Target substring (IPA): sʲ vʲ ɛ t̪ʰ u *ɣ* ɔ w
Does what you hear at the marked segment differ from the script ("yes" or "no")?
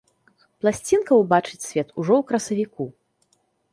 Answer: yes